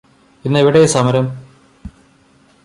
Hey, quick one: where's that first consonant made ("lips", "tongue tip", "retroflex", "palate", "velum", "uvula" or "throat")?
tongue tip